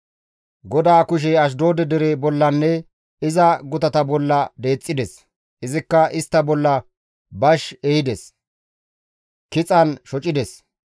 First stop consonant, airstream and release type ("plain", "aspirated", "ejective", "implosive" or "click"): plain